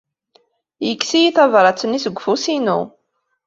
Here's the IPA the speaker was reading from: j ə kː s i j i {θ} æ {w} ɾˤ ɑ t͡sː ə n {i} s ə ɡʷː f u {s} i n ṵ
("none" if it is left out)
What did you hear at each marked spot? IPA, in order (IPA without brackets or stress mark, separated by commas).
θ, v, i, s